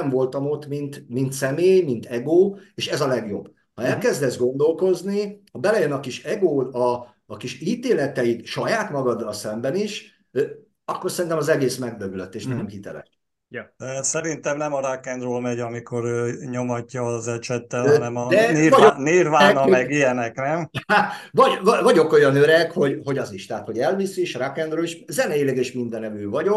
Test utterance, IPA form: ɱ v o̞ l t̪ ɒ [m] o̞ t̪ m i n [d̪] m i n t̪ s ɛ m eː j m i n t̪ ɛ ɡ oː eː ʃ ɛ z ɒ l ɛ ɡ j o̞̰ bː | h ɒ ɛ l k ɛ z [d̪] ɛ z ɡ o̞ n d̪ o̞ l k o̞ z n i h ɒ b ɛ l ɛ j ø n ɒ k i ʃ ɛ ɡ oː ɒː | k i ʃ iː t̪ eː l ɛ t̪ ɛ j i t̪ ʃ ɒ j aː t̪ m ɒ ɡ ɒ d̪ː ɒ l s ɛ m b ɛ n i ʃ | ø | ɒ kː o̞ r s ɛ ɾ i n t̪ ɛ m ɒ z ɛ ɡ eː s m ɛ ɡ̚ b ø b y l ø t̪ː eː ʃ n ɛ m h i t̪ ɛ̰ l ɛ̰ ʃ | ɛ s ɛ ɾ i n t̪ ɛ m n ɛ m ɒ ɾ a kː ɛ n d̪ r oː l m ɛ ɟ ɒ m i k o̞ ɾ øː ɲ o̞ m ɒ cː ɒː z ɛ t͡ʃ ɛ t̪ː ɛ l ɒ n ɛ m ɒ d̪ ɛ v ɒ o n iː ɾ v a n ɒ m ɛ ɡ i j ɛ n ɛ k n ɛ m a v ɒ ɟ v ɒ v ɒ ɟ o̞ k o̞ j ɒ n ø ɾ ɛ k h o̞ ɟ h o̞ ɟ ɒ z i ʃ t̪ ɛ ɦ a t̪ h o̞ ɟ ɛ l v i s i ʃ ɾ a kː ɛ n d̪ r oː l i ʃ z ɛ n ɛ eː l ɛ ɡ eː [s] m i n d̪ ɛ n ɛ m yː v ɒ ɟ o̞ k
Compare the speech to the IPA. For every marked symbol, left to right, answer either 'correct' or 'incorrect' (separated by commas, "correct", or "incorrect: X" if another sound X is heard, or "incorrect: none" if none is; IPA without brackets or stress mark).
correct, incorrect: t̪, correct, incorrect: ʃ